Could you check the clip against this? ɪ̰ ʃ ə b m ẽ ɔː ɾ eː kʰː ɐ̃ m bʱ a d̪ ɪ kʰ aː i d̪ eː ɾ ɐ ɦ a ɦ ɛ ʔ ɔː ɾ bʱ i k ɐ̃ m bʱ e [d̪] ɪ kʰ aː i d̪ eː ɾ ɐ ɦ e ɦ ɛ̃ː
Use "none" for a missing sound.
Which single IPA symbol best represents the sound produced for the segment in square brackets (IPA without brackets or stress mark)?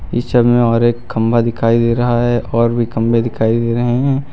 d̪